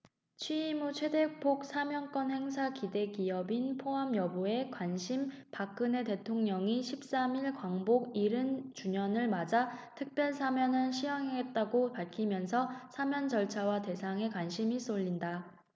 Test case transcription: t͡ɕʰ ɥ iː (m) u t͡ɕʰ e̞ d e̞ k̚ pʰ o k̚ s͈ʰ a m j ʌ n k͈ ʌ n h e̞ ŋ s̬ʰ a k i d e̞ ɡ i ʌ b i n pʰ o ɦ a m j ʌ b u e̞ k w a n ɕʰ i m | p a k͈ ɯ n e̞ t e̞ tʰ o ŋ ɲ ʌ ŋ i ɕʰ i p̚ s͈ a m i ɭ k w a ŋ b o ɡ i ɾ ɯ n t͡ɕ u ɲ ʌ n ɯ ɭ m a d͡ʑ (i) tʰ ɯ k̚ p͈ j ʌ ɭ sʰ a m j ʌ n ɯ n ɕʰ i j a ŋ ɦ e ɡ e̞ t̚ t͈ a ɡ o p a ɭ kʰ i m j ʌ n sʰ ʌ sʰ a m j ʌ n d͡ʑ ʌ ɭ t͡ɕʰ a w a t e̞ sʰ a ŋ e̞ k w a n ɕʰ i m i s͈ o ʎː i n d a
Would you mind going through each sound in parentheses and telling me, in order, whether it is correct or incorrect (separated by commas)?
correct, incorrect